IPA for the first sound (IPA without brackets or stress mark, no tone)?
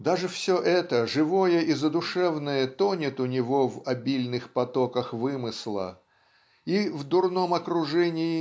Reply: d̪